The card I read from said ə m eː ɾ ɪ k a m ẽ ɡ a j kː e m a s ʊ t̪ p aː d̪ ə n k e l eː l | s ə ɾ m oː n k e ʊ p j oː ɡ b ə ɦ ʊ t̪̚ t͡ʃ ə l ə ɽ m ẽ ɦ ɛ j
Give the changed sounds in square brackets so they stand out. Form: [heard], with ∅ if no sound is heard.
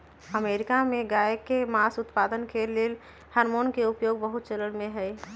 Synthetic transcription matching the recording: ə m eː ɾ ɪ k a m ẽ ɡ a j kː e m a s ʊ t̪ p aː d̪ ə n k e l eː l | [h] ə ɾ m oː n k e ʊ p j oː ɡ b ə ɦ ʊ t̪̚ t͡ʃ ə l ə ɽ m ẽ ɦ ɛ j